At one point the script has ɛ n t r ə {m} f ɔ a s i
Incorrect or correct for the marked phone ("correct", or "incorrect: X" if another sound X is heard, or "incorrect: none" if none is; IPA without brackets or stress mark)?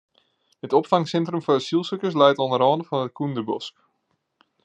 correct